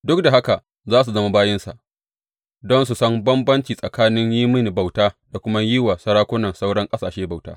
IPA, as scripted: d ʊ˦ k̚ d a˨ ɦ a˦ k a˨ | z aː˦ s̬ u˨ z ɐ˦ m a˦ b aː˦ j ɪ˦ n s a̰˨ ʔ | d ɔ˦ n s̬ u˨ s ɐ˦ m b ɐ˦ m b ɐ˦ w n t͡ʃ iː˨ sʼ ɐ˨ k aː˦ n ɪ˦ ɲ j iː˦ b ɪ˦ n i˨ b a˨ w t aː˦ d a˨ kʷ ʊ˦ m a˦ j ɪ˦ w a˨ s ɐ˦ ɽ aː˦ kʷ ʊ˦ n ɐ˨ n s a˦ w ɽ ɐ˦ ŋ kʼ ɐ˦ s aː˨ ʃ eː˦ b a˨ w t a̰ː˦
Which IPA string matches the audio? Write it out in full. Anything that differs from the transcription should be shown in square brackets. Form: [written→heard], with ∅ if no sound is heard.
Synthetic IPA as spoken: d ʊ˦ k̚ d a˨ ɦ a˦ k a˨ | z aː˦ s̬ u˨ z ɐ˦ m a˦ b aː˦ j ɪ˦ n s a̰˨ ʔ | d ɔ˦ n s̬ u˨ s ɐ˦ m b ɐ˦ m b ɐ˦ [w→∅] n t͡ʃ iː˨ sʼ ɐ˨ k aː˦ n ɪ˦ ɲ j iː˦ [b→m] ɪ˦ n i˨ b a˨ w t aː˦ d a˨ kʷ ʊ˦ m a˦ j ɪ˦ w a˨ s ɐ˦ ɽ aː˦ kʷ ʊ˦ n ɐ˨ n s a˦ w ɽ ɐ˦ ŋ kʼ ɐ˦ s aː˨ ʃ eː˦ b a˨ w t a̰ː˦